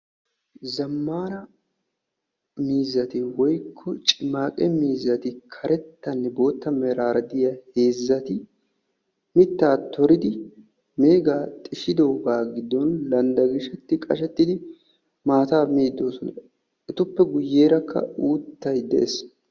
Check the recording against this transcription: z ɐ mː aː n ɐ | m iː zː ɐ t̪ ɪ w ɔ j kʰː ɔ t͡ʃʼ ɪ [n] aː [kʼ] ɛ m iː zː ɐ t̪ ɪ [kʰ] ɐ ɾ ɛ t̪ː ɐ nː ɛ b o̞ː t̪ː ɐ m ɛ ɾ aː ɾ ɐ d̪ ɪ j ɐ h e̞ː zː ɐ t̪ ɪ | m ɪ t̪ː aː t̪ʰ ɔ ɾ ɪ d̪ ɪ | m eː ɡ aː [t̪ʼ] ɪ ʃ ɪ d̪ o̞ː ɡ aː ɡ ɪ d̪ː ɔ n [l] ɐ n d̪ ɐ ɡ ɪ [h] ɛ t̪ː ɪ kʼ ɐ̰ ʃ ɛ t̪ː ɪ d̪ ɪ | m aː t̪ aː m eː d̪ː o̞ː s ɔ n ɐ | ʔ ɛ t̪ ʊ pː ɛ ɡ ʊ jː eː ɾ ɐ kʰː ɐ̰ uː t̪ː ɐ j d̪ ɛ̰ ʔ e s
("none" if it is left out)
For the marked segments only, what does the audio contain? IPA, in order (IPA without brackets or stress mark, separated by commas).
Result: m, kʼ, kʰ, t̪ʼ, l, ʃ